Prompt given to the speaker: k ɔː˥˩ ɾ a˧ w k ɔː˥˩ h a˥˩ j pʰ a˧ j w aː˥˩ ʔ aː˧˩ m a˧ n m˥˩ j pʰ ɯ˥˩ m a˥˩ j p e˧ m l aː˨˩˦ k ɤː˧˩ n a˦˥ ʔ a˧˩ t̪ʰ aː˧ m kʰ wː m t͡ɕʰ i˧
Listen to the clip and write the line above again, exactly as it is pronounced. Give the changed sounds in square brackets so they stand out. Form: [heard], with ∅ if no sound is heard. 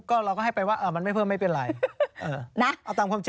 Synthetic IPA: k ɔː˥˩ ɾ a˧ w k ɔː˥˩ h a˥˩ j [p] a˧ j w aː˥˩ ʔ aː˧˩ m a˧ n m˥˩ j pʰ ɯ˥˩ m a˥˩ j p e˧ [n] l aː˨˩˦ [ʔ] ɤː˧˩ n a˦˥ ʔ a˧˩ [t̪] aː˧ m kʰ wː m [t͡ɕ] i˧